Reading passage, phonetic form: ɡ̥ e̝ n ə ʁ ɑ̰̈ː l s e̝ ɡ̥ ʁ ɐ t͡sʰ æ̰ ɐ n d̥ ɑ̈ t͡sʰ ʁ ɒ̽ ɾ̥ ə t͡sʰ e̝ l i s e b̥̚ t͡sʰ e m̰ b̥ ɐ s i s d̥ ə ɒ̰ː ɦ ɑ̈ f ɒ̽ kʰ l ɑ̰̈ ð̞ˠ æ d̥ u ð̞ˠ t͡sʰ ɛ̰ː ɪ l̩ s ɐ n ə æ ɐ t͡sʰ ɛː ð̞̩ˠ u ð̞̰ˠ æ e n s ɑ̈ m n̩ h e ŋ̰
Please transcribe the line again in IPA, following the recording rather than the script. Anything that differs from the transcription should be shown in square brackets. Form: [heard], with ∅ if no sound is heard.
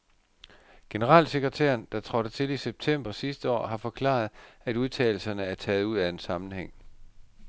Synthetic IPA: ɡ̥ e̝ n ə ʁ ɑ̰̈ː l s e̝ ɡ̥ ʁ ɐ t͡sʰ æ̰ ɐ n d̥ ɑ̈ t͡sʰ ʁ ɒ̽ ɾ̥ ə t͡sʰ e̝ l i s e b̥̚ t͡sʰ e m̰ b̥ ɐ s i s d̥ ə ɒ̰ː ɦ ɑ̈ f ɒ̽ kʰ l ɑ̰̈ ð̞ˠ æ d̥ u ð̞ˠ t͡sʰ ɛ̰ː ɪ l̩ s ɐ n ə æ ɐ t͡sʰ ɛː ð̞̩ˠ u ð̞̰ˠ æ e n s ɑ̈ m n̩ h e ŋ̰